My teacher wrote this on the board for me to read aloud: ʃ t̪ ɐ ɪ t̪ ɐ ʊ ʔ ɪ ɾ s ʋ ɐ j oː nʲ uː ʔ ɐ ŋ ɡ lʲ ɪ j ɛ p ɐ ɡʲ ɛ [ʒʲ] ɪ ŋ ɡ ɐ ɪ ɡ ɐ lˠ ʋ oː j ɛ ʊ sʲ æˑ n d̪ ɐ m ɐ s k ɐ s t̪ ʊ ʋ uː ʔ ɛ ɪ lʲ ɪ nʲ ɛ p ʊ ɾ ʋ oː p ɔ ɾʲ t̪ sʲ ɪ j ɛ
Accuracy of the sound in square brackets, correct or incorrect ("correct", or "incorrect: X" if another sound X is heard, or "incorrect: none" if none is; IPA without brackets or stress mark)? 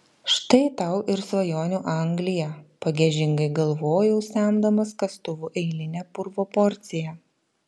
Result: correct